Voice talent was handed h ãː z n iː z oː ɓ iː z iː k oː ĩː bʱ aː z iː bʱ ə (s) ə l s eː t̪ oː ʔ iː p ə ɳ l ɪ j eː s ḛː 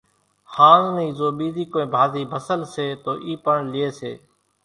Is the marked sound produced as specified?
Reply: yes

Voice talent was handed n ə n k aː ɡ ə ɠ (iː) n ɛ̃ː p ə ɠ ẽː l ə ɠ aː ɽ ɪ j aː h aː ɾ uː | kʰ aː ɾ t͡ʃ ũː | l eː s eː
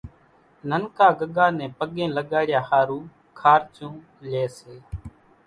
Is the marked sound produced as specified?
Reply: no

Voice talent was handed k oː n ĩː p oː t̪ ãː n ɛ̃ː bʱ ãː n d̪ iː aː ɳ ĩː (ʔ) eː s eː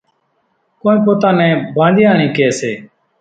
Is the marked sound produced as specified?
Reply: no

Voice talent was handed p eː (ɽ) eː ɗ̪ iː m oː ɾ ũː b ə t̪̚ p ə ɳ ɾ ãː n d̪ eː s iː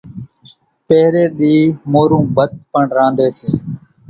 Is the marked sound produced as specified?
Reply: no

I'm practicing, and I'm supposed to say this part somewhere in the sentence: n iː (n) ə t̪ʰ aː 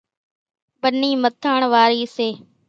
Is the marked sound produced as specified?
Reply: no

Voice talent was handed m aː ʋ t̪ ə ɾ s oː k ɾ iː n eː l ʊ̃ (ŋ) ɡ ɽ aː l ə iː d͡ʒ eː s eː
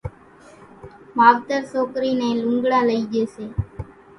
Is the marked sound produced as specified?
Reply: yes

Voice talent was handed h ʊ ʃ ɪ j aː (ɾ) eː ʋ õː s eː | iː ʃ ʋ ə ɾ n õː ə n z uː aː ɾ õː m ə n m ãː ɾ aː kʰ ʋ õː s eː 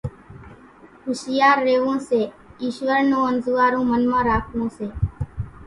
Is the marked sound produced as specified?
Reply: no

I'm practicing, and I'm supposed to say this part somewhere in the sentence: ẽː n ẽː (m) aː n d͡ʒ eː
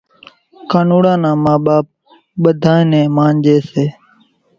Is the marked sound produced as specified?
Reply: yes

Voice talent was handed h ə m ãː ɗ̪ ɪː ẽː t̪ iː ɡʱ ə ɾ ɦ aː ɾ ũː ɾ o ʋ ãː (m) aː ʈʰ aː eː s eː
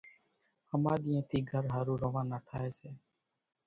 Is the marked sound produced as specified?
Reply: no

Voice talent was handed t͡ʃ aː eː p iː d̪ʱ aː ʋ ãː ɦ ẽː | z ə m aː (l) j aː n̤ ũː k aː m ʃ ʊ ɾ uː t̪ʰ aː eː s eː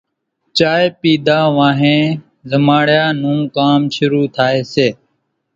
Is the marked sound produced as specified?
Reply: no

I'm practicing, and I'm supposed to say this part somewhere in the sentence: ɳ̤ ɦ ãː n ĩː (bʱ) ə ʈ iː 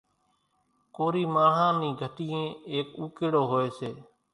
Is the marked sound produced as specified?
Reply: no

